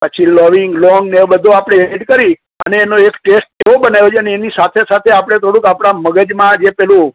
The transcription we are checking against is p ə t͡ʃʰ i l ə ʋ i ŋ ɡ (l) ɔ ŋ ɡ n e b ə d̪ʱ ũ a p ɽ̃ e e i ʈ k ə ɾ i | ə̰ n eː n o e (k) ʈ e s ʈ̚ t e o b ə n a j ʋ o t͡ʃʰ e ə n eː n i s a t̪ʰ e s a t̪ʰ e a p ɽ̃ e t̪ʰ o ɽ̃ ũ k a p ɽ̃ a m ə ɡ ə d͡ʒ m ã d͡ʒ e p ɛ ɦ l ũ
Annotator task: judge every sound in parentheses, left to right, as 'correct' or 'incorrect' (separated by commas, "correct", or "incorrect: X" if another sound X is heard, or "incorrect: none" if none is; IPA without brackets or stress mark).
correct, correct